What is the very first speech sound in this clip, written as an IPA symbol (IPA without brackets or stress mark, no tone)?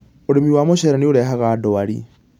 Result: o